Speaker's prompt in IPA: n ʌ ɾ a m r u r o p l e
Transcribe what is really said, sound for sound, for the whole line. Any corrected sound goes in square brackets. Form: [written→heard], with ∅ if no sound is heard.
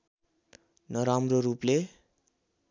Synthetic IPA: n ʌ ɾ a m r [u→o] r [o→u] p l e